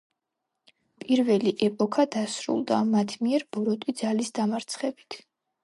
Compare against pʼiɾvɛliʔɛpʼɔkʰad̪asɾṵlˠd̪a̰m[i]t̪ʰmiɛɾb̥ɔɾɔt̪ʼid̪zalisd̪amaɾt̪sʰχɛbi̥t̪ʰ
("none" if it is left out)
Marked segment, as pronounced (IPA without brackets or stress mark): a